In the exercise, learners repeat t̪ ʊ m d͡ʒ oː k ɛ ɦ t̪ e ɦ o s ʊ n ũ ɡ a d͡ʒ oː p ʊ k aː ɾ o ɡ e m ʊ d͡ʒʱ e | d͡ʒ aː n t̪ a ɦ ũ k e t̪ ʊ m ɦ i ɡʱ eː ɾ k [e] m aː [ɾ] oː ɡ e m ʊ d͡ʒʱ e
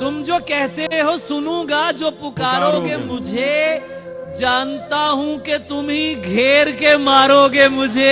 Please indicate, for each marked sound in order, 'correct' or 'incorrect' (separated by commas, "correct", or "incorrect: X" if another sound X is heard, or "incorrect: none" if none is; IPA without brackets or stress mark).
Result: correct, correct